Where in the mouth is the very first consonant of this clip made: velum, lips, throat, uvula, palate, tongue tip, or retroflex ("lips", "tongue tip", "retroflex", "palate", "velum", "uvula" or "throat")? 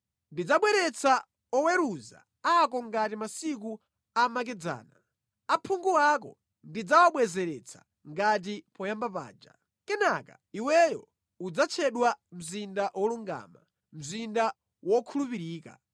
tongue tip